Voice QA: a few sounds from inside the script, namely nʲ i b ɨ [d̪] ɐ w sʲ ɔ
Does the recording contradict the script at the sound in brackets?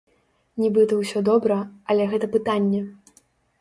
yes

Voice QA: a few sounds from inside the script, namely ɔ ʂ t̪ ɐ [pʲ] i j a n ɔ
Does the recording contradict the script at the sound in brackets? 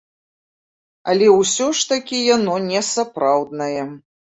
yes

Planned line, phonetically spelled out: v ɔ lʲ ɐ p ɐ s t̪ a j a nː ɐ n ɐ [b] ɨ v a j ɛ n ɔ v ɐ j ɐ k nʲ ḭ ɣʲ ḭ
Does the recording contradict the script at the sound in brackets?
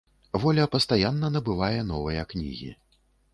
no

